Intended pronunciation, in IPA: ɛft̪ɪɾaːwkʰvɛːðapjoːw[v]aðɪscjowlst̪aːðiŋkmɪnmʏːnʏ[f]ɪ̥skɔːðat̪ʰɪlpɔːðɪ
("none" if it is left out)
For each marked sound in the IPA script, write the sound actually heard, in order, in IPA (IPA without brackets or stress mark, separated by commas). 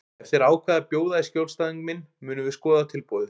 ð, v